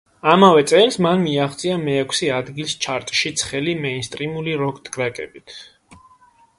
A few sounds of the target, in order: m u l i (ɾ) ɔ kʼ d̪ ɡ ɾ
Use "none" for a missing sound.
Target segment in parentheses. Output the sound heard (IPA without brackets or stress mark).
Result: ɾ